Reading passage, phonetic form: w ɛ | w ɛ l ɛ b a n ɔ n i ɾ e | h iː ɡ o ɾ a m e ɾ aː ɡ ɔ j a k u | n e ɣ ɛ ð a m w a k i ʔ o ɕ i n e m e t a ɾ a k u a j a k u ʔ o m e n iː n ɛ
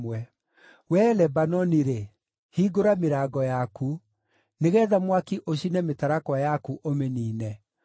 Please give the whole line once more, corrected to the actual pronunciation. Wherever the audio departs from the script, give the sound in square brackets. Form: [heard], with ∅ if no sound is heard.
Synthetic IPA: w ɛ | w ɛ l ɛ b a n ɔ n i ɾ e | h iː ɡ o ɾ a m e ɾ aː ɡ ɔ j a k u | n e ɣ ɛ ð a m w a k i ʔ o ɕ i n [ɛ] m e t a ɾ a k [w] a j a k u ʔ o m e n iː n ɛ